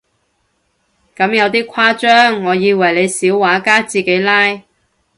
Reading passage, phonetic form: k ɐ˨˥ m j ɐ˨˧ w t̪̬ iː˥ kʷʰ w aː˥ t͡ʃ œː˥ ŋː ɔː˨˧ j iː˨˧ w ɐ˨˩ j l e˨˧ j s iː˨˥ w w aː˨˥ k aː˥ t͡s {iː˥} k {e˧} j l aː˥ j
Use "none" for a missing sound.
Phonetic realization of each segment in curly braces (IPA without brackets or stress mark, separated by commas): iː˨, e˨˧˥